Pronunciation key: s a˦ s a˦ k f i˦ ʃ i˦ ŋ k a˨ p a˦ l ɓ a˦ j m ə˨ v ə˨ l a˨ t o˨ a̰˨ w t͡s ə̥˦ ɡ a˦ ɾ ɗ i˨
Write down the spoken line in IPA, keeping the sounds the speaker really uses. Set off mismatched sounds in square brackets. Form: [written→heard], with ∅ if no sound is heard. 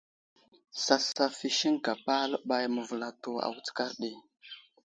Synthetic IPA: s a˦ s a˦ [k→∅] f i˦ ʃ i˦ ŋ k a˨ p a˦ l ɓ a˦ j m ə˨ v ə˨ l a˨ t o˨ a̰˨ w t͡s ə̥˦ [ɡ→k] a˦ ɾ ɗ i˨